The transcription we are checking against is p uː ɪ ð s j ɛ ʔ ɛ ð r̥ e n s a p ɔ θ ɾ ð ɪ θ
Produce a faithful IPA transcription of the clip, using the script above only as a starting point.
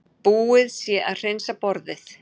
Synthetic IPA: p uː ɪ ð s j ɛ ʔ a ð r̥ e n s a p ɔ ɾ ð ɪ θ